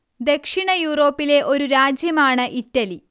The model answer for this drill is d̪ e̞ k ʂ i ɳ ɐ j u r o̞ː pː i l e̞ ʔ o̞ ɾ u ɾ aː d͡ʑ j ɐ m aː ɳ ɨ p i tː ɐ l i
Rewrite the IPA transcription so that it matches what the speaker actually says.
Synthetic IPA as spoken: d̪ e̞ k ʂ i ɳ ɐ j uː r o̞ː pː i l e̞ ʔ o̞ ɾ u ɾ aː d͡ʑ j ɐ m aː ɳ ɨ ʔ i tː ɐ l i